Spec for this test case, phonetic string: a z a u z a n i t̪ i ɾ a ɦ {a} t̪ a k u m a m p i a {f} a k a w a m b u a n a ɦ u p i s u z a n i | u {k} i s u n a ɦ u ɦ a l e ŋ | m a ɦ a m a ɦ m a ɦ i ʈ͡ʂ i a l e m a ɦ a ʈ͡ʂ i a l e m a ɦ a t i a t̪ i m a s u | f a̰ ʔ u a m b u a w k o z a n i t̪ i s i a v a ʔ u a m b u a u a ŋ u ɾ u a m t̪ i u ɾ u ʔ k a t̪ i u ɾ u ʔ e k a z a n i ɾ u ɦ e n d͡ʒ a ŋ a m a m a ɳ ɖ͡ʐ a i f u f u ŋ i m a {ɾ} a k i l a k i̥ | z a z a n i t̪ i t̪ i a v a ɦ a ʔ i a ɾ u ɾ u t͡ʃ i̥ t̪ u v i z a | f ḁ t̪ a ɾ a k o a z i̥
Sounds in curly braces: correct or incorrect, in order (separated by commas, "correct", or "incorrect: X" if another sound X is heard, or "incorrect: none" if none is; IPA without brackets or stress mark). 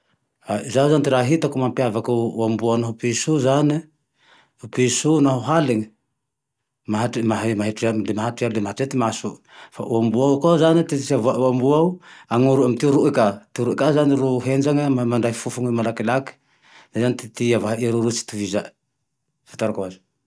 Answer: incorrect: i, incorrect: v, incorrect: p, incorrect: l